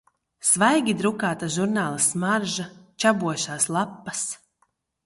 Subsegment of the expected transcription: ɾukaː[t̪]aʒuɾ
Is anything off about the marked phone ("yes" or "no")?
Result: no